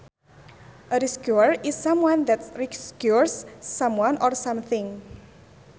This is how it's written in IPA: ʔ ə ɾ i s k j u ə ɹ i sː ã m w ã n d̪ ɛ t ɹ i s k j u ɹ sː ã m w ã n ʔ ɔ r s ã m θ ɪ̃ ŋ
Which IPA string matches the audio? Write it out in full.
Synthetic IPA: ʔ ə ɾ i s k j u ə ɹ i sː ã m w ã n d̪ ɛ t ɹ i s k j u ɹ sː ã m w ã n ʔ ɔ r s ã m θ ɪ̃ ŋ